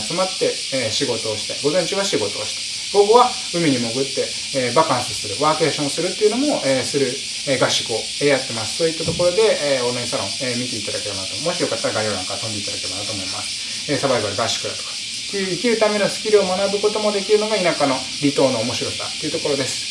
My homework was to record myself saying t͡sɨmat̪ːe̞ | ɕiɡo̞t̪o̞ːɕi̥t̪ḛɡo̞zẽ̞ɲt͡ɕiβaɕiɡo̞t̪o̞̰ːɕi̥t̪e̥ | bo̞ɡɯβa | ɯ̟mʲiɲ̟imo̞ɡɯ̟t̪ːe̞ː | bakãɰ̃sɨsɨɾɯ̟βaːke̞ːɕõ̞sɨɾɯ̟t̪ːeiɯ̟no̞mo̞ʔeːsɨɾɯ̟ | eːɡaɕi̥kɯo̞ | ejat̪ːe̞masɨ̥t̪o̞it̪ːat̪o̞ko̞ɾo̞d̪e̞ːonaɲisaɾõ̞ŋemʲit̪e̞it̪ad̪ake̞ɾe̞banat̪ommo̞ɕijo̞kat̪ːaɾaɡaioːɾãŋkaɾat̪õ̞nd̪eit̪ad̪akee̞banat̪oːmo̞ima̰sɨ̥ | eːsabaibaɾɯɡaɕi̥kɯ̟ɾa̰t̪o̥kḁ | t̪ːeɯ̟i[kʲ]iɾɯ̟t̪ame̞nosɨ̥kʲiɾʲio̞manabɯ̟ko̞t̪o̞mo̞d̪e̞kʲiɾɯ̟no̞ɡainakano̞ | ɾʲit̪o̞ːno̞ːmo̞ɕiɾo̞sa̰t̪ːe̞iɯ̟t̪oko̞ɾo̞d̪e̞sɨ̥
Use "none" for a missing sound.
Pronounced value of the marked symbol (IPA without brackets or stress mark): kʲ